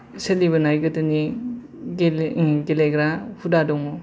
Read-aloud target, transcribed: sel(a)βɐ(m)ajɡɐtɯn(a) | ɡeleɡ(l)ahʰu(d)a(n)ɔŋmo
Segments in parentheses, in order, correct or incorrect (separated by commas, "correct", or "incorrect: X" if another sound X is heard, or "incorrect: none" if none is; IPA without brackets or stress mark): incorrect: i, incorrect: n, incorrect: i, incorrect: ɾ, correct, incorrect: d